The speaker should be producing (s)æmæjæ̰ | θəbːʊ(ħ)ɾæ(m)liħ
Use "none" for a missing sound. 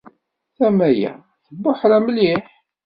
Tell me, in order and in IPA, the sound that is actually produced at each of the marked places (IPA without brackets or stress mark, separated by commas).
θ, ħ, m